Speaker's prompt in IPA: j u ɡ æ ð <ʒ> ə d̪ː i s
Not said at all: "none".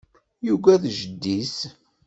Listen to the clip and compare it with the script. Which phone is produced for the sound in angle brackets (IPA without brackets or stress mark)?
ʒ